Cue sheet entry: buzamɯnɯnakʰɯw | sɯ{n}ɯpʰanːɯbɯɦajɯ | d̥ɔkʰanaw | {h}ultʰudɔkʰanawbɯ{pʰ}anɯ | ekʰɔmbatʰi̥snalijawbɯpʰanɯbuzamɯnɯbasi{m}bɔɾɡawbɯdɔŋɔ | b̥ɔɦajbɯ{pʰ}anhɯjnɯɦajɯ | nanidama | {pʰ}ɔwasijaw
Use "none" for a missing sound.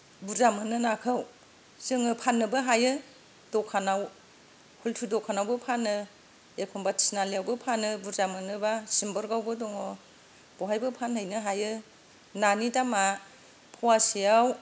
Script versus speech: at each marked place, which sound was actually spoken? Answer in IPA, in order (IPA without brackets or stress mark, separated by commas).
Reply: ŋ, h, pʰ, m, pʰ, pʰ